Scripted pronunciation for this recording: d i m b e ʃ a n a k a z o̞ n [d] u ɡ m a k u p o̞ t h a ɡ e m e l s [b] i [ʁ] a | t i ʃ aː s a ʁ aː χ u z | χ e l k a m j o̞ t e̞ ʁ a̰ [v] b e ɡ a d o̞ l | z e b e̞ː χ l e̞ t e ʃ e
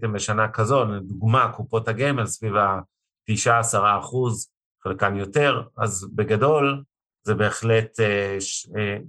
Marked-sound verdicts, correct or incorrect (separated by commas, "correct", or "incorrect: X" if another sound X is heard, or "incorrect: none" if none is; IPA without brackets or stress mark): correct, incorrect: v, incorrect: v, incorrect: z